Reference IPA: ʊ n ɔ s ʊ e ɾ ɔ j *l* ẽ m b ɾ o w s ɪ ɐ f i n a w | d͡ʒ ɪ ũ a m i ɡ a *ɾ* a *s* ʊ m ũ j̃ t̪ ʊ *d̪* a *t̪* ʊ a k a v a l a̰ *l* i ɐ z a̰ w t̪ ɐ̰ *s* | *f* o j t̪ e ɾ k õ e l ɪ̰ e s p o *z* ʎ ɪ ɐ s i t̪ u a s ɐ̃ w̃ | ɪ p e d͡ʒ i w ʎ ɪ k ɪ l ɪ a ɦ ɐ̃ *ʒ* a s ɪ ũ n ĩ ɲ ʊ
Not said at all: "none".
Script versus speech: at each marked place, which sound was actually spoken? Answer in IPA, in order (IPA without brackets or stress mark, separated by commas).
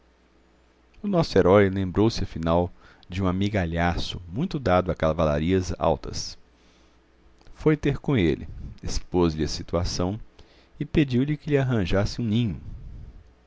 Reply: l, ʎ, s, d̪, d̪, ɾ, s, f, z, ʒ